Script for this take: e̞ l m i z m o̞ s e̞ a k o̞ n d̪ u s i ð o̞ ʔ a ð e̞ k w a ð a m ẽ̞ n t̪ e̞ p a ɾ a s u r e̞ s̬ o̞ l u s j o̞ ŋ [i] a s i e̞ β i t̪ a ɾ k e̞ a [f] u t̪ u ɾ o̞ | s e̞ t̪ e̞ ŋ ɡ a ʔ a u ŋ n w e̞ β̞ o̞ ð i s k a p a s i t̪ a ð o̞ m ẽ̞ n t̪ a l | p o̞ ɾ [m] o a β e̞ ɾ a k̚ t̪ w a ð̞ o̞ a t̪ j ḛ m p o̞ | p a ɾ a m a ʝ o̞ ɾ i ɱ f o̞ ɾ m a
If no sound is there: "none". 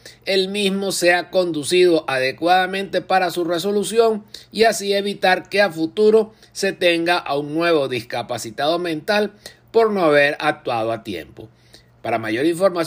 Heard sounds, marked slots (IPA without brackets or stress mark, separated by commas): i, f, n